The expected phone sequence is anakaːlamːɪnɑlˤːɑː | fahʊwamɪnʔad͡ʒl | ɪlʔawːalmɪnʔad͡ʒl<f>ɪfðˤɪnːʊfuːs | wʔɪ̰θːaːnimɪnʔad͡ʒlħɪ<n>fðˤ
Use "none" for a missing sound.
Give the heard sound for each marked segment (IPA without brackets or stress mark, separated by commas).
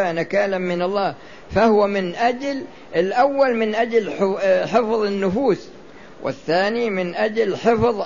ħ, none